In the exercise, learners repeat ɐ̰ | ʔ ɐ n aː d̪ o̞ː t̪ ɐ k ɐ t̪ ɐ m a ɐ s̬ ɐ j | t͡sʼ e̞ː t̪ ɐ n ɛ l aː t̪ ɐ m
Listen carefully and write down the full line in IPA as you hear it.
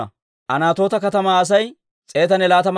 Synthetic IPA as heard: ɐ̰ | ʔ ɐ n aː t̪ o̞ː t̪ ɐ k ɐ t̪ ɐ m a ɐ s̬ ɐ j | t͡sʼ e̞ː t̪ ɐ n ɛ l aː t̪ ɐ m